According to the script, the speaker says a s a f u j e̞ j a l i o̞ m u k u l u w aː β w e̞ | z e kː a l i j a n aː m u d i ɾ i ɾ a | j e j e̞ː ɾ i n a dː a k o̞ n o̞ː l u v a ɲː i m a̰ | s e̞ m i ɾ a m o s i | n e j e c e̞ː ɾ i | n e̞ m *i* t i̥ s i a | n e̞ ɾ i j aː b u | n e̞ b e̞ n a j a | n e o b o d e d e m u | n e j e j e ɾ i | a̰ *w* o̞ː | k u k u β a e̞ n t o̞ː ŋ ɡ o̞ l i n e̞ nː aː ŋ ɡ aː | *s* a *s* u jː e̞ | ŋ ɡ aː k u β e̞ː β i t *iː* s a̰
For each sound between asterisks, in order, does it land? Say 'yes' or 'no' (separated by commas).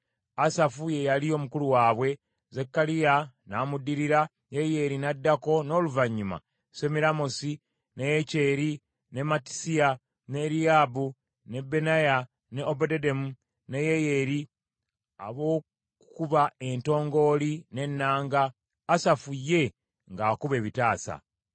no, no, yes, no, no